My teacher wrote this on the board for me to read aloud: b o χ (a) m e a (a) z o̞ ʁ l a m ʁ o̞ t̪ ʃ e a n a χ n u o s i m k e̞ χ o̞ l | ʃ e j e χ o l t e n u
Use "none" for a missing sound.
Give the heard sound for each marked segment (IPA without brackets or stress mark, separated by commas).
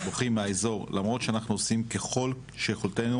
i, e